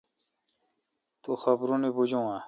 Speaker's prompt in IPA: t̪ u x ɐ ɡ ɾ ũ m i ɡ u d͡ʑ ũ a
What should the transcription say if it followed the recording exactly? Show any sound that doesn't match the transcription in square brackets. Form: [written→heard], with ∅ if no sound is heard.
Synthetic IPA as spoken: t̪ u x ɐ [ɡ→b] ɾ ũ [m→n] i [ɡ→b] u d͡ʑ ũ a